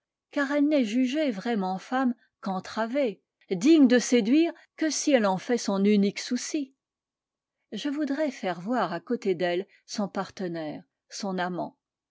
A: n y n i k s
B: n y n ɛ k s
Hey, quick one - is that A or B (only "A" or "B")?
A